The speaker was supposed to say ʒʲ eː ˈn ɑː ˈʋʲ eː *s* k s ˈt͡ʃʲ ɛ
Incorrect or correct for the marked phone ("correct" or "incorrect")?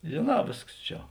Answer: correct